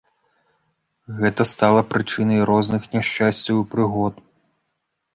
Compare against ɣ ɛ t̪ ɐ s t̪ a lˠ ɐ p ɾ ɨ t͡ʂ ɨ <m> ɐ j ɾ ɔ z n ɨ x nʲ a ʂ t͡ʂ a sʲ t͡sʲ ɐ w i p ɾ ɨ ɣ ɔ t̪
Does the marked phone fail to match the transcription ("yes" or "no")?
yes